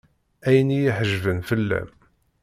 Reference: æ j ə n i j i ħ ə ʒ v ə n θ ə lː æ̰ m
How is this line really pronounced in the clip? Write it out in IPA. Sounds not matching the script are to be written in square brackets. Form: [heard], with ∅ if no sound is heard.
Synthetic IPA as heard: æ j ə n i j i ħ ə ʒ v ə n [f] ə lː æ̰ m